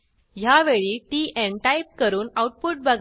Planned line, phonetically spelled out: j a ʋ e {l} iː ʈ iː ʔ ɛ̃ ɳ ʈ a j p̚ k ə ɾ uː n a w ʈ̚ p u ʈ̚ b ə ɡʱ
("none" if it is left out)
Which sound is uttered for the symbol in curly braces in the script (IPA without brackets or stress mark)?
ɭ